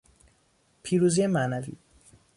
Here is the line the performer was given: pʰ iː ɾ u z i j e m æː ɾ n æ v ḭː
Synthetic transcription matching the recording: pʰ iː ɾ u z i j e m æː n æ v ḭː